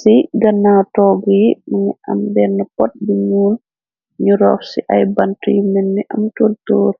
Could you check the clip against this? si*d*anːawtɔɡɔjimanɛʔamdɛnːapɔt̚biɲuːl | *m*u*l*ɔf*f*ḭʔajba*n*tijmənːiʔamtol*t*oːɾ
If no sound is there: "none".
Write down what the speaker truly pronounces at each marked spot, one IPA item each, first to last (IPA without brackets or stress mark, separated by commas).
ɡ, ɲ, ɾ, s, n, t